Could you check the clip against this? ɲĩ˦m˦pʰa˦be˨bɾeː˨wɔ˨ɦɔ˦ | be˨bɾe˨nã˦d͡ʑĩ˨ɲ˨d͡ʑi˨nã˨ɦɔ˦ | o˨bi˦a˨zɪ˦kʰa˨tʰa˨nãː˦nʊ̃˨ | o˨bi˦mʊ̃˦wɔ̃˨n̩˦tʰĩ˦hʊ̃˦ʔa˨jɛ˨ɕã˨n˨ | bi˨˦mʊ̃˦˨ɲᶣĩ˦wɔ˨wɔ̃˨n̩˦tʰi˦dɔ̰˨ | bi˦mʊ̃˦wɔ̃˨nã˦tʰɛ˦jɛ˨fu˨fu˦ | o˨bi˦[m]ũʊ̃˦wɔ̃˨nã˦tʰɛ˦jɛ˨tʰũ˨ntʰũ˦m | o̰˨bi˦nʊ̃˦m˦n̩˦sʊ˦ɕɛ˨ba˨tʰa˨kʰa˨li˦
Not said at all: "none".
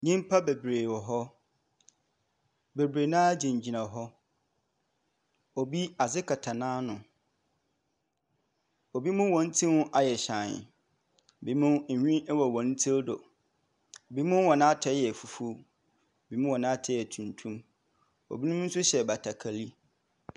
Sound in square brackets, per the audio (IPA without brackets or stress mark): m